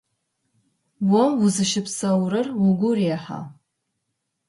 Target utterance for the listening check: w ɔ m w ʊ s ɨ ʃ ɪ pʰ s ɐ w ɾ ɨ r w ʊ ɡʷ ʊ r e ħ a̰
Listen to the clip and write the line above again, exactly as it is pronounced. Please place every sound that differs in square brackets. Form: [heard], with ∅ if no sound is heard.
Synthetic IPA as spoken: w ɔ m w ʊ [z] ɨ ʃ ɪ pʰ s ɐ w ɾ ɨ r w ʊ ɡʷ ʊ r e ħ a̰